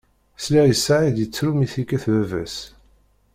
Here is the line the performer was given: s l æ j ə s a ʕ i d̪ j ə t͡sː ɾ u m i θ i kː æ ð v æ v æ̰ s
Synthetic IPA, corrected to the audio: s l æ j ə s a ʕ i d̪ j ə t͡sː ɾ u m i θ i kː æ θ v æ v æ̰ s